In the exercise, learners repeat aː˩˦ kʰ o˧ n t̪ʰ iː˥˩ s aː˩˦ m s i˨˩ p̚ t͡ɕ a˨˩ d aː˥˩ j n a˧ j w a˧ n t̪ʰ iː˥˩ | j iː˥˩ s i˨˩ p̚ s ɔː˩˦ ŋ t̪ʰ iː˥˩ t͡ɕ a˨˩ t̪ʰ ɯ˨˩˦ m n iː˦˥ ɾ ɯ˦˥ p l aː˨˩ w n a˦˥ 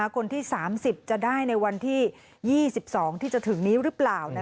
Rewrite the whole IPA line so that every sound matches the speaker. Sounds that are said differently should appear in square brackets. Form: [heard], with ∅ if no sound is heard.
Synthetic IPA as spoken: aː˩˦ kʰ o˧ n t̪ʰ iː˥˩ s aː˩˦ m s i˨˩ p̚ t͡ɕ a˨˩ d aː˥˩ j n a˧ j w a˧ n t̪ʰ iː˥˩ | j iː˥˩ s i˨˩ p̚ s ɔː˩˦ ŋ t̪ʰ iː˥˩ t͡ɕ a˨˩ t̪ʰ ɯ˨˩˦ [ŋ] n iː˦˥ ɾ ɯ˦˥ p l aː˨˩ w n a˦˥